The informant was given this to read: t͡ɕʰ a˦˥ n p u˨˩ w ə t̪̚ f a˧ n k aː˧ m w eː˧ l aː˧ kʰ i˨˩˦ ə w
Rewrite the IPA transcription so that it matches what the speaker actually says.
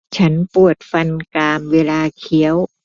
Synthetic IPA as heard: t͡ɕʰ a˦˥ n p u˨˩ ə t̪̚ f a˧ n k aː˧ m w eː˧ l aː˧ kʰ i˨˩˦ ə w